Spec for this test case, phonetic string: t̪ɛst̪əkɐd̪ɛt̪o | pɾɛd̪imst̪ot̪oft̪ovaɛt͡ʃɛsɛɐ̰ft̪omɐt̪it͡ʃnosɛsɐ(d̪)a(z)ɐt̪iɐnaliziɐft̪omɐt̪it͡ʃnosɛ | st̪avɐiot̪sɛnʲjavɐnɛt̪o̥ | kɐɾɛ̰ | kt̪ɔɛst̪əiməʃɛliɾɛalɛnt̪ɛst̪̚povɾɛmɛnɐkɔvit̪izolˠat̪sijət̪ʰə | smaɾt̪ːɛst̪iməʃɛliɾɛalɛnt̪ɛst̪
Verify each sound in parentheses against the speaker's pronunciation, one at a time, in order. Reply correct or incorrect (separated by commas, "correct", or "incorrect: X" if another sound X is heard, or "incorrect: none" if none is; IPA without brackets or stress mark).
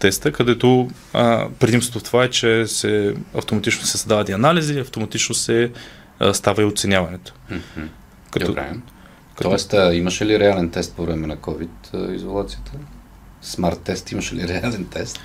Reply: correct, incorrect: v